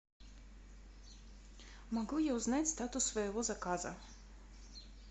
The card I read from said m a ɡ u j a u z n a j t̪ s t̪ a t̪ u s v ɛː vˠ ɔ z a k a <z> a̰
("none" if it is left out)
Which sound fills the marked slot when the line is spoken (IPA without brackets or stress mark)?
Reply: z